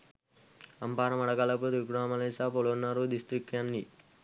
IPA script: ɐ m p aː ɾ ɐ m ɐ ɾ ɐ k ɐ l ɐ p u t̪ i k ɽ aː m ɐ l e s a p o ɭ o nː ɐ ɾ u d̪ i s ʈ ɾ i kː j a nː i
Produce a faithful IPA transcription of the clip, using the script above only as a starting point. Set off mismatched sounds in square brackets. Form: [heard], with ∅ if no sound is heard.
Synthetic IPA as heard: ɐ m p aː ɾ ɐ m ɐ [ɽ] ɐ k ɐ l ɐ p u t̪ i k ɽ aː m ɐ l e s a p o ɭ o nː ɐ ɾ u d̪ i s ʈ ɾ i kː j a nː i